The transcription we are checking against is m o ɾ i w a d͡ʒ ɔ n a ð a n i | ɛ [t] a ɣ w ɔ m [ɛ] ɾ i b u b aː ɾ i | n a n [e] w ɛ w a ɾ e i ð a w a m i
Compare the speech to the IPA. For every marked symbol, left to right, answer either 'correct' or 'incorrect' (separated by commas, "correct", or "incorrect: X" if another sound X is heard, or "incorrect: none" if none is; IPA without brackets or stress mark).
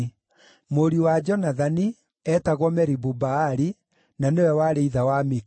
correct, correct, correct